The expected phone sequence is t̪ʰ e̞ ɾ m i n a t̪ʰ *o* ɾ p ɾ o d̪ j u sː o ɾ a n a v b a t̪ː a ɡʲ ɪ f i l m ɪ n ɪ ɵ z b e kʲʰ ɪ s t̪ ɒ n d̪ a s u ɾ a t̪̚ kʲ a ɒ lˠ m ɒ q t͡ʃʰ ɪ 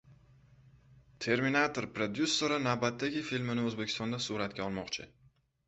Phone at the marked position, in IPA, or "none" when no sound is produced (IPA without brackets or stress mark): o